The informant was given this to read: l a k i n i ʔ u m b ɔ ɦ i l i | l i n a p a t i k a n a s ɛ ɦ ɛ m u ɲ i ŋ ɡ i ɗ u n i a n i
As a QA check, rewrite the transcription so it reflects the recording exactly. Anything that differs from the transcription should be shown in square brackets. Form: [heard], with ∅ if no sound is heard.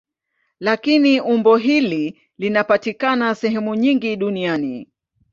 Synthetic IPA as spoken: l a k i n i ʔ u m b ɔ ɦ i l i | l i n a p a t i k a n a s ɛ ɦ ɛ m u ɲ i ŋ ɡ i ɗ u n i a n i